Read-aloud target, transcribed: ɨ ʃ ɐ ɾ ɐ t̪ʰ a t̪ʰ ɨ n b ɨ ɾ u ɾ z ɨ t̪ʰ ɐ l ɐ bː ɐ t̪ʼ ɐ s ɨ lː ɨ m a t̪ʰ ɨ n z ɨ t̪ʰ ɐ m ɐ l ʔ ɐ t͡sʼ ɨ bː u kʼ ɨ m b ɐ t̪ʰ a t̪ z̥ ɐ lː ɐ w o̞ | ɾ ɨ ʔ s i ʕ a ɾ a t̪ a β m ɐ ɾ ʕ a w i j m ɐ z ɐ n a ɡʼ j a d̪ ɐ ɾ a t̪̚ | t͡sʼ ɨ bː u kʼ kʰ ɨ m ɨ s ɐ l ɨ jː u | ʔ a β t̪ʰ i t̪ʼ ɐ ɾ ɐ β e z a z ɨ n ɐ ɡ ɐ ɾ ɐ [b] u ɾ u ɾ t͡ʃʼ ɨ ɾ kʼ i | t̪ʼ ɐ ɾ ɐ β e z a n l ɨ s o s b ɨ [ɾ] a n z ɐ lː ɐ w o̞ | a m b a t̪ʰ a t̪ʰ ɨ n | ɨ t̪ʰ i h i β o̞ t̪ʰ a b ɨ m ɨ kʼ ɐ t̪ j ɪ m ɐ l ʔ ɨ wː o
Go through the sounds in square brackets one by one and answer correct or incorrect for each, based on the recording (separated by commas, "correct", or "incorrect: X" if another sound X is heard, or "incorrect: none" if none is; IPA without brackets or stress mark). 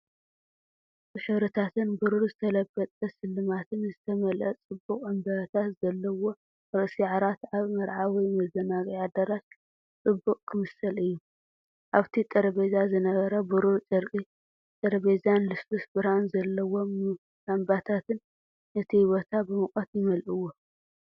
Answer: correct, correct